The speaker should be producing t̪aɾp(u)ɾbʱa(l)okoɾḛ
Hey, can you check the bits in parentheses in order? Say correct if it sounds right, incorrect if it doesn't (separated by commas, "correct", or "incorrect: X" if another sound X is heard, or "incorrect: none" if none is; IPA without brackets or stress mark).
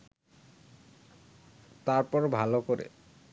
incorrect: ɔ, correct